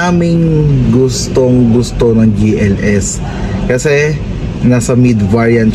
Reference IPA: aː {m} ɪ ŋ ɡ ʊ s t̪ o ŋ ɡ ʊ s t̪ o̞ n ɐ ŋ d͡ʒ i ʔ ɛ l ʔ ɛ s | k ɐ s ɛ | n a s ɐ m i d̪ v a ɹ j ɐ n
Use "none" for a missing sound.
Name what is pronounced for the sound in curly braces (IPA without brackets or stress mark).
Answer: m